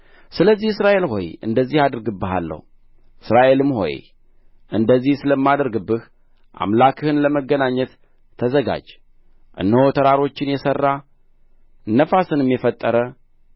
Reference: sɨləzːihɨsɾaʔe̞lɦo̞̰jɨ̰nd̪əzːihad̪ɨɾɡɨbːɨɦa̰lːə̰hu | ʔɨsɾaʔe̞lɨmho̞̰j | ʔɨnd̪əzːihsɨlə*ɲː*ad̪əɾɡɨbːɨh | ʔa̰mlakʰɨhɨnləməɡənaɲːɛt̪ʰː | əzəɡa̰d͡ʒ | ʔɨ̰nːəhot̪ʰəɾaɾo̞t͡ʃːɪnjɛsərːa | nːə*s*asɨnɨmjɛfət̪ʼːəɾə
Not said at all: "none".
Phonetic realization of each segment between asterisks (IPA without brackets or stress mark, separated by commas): mː, f